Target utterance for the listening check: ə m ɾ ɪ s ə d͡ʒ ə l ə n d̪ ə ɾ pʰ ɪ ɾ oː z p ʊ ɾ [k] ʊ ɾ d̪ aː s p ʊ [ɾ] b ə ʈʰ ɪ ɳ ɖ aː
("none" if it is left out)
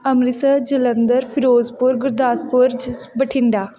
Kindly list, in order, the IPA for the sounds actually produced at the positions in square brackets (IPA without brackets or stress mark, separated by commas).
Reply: ɡ, ɾ